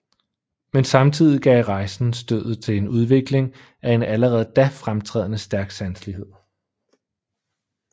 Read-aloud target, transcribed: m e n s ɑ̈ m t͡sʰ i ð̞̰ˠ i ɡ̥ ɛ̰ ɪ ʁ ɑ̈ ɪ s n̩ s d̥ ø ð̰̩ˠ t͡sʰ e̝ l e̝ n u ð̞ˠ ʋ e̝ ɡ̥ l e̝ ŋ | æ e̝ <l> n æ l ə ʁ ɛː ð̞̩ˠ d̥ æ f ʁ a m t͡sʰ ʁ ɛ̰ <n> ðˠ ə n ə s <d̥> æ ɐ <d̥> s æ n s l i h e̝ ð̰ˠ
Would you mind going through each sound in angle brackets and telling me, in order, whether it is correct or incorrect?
incorrect, incorrect, correct, incorrect

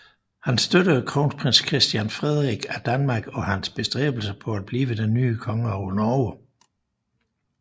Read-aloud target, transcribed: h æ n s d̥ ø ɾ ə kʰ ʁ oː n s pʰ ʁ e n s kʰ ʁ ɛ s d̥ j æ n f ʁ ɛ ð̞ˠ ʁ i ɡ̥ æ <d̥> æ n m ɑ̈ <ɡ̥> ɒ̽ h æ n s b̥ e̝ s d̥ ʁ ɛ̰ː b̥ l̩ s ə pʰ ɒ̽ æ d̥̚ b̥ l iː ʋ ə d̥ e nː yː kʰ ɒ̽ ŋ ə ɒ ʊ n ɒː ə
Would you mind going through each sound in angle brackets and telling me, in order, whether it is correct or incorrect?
correct, correct

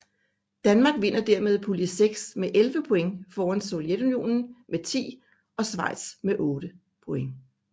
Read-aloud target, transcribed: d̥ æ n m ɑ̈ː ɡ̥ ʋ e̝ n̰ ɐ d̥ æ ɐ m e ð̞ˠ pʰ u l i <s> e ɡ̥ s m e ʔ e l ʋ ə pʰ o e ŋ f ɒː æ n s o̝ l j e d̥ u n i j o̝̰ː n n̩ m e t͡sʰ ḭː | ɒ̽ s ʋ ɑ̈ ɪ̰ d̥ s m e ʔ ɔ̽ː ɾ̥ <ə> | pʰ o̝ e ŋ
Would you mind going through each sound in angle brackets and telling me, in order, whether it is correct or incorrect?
correct, correct

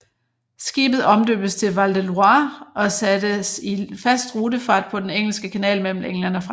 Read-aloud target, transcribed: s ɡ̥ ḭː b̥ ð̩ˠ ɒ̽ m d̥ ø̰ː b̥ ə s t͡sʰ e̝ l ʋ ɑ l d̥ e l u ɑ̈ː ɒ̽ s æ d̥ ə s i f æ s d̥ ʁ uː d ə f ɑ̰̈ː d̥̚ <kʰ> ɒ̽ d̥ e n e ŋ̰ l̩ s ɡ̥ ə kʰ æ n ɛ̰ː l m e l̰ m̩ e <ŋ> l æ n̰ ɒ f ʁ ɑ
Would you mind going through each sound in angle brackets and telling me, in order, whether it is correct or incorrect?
incorrect, correct

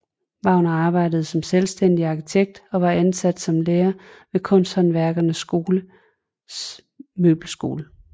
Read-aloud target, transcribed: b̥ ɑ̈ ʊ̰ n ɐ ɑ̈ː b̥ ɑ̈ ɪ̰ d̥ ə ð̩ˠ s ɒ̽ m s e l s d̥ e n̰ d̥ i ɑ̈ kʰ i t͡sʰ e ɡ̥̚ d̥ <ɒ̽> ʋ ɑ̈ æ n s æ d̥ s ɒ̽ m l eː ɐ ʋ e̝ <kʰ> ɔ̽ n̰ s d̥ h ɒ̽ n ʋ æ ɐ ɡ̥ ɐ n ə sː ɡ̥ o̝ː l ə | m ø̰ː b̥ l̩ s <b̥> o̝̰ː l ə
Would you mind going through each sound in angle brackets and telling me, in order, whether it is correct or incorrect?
correct, correct, incorrect

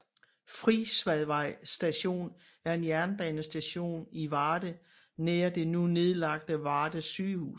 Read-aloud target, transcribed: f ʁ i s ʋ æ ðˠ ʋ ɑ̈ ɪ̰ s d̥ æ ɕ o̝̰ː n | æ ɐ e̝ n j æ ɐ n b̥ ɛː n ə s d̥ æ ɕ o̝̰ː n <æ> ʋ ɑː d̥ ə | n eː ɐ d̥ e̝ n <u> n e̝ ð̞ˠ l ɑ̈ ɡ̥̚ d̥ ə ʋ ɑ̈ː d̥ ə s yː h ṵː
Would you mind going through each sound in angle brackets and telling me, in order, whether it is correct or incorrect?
incorrect, correct

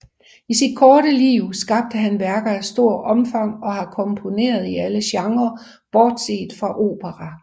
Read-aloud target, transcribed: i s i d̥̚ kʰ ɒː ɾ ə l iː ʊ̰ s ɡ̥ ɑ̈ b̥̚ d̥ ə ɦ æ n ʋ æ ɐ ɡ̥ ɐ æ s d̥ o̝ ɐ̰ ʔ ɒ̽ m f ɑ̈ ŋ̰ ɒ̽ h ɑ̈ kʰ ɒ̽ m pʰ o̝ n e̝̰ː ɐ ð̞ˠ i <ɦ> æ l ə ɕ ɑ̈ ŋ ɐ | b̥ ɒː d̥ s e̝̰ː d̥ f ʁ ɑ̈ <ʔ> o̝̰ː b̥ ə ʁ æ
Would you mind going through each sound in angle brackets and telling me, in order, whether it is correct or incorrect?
incorrect, correct

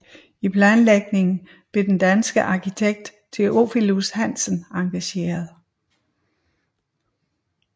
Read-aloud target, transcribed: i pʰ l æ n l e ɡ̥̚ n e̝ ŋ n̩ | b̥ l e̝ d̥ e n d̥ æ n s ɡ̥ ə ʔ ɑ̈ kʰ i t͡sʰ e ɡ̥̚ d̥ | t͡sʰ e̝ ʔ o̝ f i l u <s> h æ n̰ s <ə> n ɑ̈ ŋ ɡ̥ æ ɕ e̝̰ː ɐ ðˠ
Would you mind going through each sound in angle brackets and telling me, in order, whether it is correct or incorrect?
correct, correct

